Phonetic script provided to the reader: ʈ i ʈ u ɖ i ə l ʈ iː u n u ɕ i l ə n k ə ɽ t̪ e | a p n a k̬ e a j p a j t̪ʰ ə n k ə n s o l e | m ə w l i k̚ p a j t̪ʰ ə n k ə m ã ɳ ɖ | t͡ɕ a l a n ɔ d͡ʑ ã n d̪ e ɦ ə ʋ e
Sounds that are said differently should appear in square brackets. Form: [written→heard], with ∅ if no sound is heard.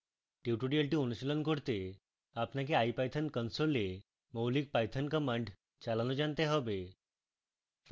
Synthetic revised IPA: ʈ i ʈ u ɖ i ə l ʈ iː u n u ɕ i l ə n k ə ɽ t̪ e | a p n a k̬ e a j p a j t̪ʰ ə n k ə n s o l e | m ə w l i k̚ p a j t̪ʰ ə n k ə m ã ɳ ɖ | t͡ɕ a l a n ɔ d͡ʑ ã n [d̪→t̪] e ɦ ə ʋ e

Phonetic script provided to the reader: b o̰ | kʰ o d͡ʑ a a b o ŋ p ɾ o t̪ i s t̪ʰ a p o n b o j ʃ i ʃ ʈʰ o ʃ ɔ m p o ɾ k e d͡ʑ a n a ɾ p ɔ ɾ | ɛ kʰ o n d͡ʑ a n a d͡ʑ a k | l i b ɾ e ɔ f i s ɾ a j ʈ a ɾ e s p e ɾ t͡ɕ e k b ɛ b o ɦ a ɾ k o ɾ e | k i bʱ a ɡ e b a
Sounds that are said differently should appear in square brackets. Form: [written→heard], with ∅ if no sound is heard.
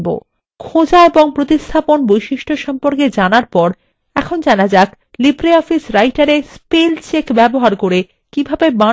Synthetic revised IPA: b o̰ | kʰ o d͡ʑ a [a→e] b o ŋ p ɾ o t̪ i s t̪ʰ a p o n b o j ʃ i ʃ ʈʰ o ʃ ɔ m p o ɾ k e d͡ʑ a n a ɾ p ɔ ɾ | ɛ kʰ o n d͡ʑ a n a d͡ʑ a k | l i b ɾ e ɔ f i s ɾ a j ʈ a ɾ e s p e [ɾ→l] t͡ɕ e k b ɛ b o ɦ a ɾ k o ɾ e | k i bʱ a [ɡ→b] e b a

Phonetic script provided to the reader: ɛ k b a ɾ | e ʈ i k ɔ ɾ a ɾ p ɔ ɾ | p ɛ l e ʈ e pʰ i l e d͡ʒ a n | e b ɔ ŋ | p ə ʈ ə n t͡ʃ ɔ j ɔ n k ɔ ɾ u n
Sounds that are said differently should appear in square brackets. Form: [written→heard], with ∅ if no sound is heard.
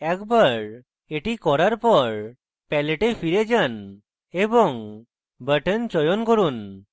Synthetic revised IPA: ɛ k b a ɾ | e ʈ i k ɔ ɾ a ɾ p ɔ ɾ | p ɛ l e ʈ e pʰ i [l→ɾ] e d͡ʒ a n | e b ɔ ŋ | [p→b] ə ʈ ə n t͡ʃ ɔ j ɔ n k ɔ ɾ u n

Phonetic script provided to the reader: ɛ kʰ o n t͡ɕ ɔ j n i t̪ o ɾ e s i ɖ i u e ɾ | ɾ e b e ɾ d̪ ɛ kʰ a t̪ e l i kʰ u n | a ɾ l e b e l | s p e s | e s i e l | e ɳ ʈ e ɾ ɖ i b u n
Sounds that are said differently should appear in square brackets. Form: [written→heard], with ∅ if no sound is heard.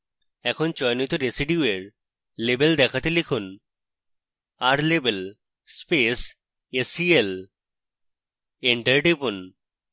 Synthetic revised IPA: ɛ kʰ o n t͡ɕ ɔ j n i t̪ o ɾ e s i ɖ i u e ɾ | [ɾ→l] e b e [ɾ→l] d̪ ɛ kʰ a t̪ e l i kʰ u n | a ɾ l e b e l | s p e s | e s i e l | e ɳ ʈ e ɾ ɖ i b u n

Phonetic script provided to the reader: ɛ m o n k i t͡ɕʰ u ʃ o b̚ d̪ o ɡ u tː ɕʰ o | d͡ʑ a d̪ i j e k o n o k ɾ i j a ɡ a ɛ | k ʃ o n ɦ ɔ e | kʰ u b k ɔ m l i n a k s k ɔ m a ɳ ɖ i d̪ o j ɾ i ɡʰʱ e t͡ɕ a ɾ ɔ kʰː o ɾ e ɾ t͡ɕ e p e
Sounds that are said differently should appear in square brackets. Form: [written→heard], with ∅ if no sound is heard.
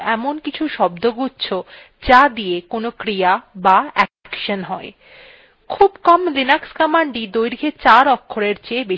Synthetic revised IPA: ɛ m o n k i t͡ɕʰ u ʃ [o→ɔ] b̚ d̪ o ɡ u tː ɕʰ o | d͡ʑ a d̪ i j e k o n o k ɾ i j a [ɡ→b] a ɛ | k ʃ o n ɦ ɔ e | kʰ u b k ɔ m l i n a k s k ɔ m a ɳ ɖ i d̪ o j ɾ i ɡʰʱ e t͡ɕ a ɾ ɔ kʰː o ɾ e ɾ t͡ɕ e [p→b] e

